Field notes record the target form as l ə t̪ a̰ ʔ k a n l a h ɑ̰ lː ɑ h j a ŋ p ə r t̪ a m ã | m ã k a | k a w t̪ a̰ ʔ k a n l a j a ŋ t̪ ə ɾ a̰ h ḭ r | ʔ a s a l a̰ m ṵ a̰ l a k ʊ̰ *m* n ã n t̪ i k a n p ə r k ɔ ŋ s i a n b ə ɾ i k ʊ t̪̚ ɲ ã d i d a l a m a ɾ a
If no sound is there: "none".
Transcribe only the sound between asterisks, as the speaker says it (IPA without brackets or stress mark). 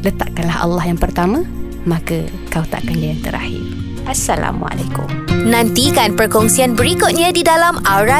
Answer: m